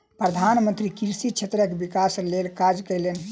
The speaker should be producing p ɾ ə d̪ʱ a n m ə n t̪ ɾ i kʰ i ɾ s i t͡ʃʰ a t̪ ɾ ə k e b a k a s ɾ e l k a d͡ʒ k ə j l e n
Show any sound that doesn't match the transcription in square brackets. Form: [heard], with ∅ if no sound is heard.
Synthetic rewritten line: p ɾ ə d̪ʱ a n m ə n t̪ ɾ i [k] i ɾ s i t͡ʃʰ [e] t̪ ɾ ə k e b [i] k a s [l] e l k a d͡ʒ k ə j l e n